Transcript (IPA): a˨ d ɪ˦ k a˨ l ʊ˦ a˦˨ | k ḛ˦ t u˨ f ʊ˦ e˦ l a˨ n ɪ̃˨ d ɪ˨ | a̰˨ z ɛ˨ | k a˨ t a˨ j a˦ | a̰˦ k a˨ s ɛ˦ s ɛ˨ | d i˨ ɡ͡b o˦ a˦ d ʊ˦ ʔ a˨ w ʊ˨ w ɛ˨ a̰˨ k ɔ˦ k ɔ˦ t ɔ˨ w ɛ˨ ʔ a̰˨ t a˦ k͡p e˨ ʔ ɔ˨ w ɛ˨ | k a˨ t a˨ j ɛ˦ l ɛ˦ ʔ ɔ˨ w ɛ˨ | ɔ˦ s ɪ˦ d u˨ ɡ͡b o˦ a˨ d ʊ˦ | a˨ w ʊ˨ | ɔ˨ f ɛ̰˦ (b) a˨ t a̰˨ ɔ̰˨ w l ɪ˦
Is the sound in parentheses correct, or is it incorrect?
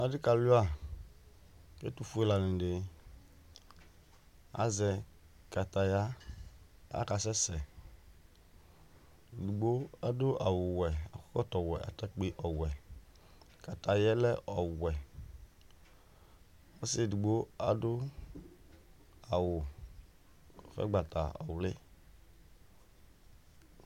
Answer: incorrect